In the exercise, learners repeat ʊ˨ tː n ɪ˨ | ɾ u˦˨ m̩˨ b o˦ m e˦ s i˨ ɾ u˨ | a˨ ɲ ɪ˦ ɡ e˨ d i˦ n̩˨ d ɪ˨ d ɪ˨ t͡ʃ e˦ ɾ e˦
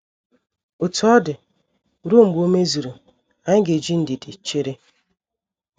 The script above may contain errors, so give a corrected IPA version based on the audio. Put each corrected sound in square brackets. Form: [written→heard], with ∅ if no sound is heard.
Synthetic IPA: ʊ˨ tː [n→d] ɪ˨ | ɾ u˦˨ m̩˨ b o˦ m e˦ [s→z] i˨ ɾ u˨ | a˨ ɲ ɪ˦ ɡ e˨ [d→d͡ʒ] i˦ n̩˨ d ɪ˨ d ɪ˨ t͡ʃ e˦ ɾ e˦